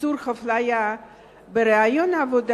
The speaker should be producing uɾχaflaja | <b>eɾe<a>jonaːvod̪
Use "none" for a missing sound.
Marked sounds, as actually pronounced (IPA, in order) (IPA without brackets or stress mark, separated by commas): b, a